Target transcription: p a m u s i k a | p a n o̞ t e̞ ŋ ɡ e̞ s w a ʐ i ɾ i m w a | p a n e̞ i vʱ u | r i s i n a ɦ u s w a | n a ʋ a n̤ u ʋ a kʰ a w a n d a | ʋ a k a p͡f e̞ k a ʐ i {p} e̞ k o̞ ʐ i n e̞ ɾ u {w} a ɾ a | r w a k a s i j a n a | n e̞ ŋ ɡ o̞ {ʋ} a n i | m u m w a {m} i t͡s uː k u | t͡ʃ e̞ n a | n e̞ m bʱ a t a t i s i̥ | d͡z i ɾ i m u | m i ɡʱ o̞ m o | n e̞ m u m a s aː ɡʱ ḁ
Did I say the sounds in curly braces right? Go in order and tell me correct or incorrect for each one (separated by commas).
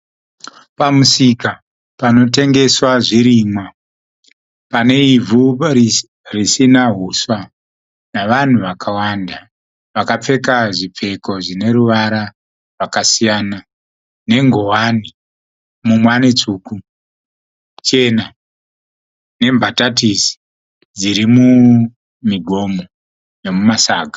incorrect, incorrect, incorrect, incorrect